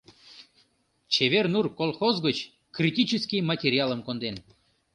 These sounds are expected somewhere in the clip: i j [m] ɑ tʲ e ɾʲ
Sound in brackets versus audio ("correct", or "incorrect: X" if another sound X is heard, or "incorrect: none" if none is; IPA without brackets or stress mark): correct